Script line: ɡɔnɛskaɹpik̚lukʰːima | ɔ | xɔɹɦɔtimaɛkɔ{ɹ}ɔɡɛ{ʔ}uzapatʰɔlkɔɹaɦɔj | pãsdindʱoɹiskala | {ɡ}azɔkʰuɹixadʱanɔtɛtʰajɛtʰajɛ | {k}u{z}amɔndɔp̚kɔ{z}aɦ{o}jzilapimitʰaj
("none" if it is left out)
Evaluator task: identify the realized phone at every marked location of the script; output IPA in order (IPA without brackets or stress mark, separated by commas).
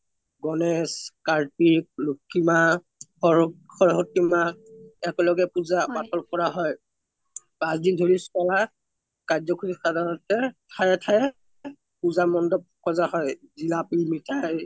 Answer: l, p, k, p, z, z, ɔ